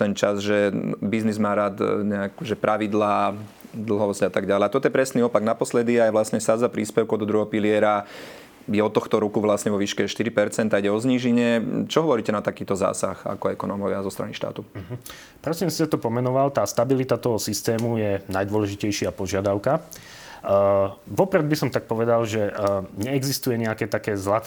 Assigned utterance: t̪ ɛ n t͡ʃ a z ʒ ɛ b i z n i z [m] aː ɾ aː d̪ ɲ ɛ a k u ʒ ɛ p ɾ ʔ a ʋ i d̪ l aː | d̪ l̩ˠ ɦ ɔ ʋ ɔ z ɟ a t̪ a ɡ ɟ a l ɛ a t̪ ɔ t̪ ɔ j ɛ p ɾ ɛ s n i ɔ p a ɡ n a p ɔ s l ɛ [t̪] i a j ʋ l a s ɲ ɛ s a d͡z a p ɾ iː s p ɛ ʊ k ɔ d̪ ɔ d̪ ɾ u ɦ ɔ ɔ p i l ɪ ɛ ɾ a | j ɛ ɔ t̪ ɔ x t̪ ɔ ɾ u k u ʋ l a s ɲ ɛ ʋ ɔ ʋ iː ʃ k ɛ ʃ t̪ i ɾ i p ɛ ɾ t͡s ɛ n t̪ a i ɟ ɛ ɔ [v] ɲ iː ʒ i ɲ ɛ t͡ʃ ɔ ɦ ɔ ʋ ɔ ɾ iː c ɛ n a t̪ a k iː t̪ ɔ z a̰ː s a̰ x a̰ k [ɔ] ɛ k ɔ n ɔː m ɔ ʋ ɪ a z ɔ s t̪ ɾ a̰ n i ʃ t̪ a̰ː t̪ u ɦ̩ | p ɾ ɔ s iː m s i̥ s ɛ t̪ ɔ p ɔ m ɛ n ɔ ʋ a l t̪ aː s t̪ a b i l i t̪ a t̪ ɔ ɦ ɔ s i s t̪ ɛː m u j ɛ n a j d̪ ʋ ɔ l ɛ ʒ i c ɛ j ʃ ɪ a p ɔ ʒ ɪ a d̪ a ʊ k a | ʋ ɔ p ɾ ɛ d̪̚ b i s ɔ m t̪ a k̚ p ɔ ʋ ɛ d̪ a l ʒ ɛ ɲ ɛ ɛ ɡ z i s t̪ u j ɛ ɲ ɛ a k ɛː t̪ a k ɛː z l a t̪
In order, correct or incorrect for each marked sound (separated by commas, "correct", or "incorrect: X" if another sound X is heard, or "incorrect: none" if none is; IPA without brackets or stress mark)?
correct, incorrect: d̪, incorrect: z, correct